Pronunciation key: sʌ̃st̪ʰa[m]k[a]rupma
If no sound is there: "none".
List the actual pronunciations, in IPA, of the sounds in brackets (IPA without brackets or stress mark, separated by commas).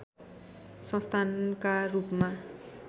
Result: n, a